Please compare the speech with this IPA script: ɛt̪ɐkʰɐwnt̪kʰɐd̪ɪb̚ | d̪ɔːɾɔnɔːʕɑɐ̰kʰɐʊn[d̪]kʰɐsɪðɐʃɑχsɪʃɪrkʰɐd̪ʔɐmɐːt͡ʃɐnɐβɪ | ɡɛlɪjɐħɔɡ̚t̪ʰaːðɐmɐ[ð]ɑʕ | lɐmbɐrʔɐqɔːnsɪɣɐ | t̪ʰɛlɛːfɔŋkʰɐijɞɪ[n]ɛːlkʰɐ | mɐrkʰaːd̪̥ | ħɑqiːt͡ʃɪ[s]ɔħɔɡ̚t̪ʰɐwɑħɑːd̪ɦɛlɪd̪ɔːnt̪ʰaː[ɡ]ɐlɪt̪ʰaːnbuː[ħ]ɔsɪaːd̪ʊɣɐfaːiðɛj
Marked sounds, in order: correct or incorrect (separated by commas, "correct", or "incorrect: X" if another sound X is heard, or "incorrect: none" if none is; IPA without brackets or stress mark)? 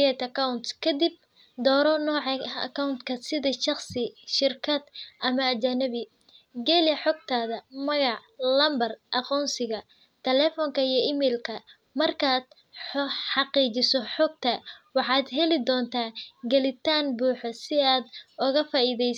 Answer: incorrect: t̪, incorrect: ɣ, incorrect: m, correct, correct, correct